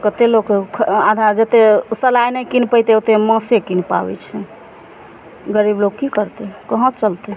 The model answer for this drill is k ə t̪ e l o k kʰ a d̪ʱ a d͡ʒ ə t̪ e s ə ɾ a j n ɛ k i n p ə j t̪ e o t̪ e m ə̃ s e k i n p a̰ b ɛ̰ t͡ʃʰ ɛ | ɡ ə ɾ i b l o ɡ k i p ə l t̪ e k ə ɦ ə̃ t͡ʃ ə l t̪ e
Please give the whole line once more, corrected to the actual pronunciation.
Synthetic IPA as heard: k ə t̪ e l o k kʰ a d̪ʱ a d͡ʒ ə t̪ e s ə l a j n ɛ k i n p ə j t̪ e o t̪ e m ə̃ s e k i n p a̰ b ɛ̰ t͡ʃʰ ɛ | ɡ ə ɾ i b l o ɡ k i k ə ɾ t̪ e k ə ɦ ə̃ t͡ʃ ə l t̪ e